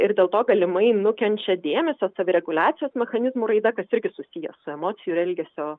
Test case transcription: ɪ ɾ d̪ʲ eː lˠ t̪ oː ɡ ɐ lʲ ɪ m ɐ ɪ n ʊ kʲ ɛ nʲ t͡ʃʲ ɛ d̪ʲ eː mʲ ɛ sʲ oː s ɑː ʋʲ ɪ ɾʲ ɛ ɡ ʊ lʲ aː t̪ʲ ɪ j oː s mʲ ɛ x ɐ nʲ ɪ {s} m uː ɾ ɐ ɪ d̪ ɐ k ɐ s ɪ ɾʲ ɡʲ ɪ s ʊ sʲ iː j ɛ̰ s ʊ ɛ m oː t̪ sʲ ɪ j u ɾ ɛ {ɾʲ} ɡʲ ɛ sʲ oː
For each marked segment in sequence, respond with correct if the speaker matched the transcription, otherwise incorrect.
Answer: incorrect, incorrect

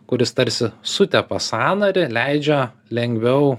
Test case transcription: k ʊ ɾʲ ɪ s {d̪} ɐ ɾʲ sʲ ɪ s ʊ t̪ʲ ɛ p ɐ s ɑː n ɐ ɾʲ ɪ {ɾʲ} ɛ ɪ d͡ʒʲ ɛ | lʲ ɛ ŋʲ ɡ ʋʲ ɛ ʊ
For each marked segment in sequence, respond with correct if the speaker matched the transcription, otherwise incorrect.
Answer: incorrect, incorrect

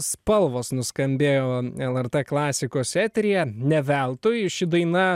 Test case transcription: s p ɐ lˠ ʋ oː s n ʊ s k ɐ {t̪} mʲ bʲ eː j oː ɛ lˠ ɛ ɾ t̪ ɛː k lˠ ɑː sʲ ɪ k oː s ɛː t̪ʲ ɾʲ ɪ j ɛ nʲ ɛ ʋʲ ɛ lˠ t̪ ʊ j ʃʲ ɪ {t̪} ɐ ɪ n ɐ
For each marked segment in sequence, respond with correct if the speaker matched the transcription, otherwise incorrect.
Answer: incorrect, incorrect

